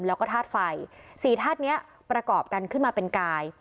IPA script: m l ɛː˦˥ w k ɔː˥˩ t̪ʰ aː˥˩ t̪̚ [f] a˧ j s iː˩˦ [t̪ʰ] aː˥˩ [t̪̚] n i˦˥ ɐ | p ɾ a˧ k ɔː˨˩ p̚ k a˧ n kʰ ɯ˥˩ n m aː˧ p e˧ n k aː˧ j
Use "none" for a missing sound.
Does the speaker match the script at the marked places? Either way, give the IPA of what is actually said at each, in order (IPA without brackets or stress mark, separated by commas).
f, t̪ʰ, t̪̚